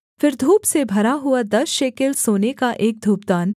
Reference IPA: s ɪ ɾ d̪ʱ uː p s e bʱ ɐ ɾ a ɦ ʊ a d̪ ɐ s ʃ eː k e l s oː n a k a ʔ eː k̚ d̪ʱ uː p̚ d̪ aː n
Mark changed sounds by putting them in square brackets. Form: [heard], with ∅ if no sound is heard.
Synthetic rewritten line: [f] ɪ ɾ d̪ʱ uː p s e bʱ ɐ ɾ a ɦ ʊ a d̪ ɐ s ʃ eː k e l s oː n [e] k a ʔ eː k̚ d̪ʱ uː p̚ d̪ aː n